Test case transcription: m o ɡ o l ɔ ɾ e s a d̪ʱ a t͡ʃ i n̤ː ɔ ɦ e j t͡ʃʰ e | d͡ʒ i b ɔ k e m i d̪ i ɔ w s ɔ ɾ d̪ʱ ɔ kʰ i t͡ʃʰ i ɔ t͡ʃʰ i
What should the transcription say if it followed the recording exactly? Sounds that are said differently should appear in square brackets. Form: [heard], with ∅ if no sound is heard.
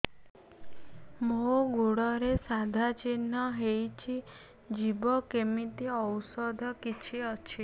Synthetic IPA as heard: m o ɡ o [ɽ] ɔ ɾ e s a d̪ʱ a t͡ʃ i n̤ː ɔ ɦ e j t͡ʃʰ [i] | d͡ʒ i b ɔ k e m i [t̪] i ɔ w s ɔ [∅] d̪ʱ ɔ [k] i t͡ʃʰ i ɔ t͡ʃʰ i